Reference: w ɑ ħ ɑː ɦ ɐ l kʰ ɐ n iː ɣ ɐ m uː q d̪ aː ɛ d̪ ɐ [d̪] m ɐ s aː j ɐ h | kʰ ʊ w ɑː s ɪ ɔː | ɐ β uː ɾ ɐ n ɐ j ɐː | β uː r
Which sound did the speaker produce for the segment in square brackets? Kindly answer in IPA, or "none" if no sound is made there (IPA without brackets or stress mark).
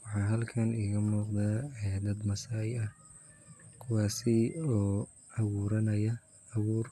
d̪